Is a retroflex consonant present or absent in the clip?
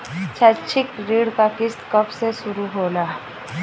present